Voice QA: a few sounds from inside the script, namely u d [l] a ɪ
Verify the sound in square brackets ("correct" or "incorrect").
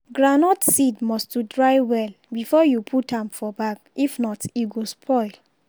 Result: incorrect